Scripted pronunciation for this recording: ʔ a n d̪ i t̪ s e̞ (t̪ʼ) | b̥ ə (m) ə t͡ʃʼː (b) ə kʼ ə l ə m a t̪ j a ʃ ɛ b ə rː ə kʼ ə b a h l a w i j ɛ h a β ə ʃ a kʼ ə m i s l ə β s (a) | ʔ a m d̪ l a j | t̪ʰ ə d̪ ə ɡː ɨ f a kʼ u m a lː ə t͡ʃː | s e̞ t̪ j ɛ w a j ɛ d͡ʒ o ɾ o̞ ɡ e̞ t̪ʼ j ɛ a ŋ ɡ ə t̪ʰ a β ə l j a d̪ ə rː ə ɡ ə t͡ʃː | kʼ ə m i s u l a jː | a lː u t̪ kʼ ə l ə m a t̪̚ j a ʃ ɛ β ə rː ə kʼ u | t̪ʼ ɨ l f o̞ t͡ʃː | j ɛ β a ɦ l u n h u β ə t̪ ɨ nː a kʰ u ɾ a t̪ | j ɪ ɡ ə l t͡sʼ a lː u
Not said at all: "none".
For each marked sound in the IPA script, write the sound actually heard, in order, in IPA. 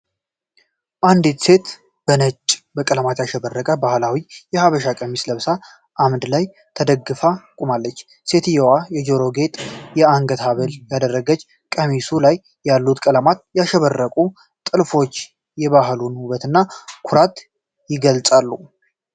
t̪, n, b, a

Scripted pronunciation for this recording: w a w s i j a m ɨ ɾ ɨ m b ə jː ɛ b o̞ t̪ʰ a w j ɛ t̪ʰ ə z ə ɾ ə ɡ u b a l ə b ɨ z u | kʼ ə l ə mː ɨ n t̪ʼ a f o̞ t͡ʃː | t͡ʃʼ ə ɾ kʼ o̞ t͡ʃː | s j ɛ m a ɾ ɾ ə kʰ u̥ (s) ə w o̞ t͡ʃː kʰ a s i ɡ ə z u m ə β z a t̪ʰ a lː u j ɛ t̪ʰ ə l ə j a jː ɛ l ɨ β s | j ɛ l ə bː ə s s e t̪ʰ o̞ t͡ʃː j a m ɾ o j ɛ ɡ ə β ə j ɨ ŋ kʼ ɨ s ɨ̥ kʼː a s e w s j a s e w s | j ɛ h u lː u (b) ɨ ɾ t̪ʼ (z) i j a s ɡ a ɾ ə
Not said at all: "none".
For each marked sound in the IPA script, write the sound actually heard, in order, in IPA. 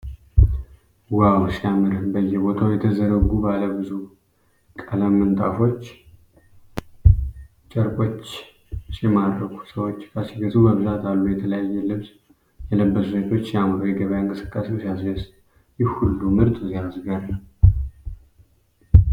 s, m, z

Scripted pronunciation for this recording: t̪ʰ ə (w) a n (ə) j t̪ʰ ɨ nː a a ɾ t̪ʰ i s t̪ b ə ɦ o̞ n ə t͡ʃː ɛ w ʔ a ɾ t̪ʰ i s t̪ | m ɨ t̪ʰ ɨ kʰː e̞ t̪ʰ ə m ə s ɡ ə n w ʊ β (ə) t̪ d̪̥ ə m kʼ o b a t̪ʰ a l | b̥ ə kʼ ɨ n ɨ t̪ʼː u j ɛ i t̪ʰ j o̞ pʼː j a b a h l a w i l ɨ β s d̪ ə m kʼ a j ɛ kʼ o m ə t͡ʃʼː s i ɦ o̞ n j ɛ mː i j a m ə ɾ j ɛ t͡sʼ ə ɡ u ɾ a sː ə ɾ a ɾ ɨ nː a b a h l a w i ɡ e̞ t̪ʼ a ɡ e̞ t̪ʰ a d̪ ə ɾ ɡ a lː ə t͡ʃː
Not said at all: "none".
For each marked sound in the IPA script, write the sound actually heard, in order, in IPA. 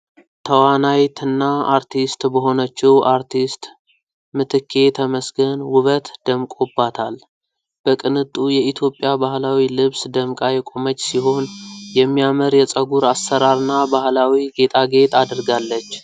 w, a, ə

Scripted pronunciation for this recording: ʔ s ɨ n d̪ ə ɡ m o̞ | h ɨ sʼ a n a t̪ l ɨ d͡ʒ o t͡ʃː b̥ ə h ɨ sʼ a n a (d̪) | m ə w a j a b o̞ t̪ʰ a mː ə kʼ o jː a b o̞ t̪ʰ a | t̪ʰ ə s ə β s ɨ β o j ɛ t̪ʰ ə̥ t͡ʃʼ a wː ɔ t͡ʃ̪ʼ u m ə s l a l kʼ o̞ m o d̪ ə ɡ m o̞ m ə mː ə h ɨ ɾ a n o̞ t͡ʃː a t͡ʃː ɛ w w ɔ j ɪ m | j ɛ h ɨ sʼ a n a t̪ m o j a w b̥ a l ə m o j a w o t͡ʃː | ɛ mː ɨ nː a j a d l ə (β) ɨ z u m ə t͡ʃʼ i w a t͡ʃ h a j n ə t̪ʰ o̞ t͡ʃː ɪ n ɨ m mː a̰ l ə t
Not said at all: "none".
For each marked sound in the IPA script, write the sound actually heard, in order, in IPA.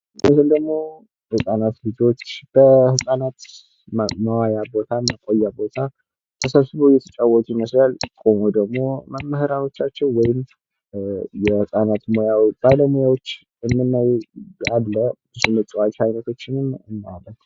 t̪, b

